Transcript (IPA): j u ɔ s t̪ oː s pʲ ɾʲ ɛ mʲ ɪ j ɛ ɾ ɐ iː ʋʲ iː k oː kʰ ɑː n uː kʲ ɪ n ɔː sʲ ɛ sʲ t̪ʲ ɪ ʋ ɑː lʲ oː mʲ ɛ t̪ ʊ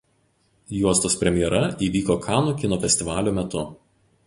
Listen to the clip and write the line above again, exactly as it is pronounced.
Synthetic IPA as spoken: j u ɔ s t̪ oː s pʲ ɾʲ ɛ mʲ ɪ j ɛ ɾ ɐ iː ʋʲ iː k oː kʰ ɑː n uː kʲ ɪ n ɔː fʲ ɛ sʲ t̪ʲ ɪ ʋ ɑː lʲ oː mʲ ɛ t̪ ʊ

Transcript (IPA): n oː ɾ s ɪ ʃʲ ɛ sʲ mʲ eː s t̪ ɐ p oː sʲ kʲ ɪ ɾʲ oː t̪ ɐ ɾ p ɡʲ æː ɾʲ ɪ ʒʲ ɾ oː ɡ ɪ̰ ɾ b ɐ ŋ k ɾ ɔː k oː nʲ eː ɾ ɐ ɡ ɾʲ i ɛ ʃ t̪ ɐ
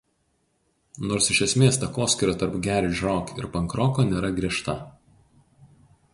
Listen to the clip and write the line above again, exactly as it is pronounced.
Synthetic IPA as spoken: n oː ɾ s ɪ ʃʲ ɛ sʲ mʲ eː s t̪ ɐ k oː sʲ kʲ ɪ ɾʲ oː t̪ ɐ ɾ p ɡʲ æː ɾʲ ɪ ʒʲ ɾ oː k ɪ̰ ɾ p ɐ ŋ k ɾ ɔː k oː nʲ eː ɾ ɐ ɡ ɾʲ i ɛ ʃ t̪ ɐ

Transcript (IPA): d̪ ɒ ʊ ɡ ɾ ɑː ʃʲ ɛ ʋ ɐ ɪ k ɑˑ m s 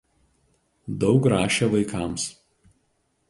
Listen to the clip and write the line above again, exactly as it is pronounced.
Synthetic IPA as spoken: d̪ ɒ ʊ k ɾ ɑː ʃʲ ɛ ʋ ɐ ɪ k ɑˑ m s

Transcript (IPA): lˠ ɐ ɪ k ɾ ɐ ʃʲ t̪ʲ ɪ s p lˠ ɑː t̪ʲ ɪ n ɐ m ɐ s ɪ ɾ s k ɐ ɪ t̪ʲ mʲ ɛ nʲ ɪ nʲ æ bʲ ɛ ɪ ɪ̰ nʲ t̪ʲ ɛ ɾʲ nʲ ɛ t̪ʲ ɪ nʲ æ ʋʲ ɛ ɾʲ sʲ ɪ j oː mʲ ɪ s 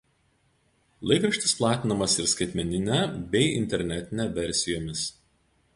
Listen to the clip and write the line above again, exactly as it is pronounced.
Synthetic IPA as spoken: lˠ ɐ ɪ k ɾ ɐ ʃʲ t̪ʲ ɪ s p lˠ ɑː t̪ʲ ɪ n ɐ m ɐ s ɪ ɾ s k ɐ ɪ t̪ʲ mʲ ɛ nʲ ɪ nʲ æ bʲ ɛ ɪ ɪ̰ nʲ t̪ʲ ɛ ɾʲ nʲ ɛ t̪ʲ ɪ nʲ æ ʋʲ ɛ ɾʲ sʲ ɪ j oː mʲ ɪ s

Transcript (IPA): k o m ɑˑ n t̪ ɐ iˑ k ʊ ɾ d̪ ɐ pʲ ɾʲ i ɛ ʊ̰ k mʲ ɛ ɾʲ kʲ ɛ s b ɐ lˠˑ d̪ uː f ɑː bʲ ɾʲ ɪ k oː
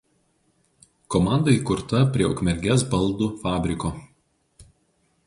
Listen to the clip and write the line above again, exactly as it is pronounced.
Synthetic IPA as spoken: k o m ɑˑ n d̪ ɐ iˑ k ʊ ɾ t̪ ɐ pʲ ɾʲ i ɛ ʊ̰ k mʲ ɛ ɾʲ ɡʲ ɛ s b ɐ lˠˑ d̪ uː f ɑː bʲ ɾʲ ɪ k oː

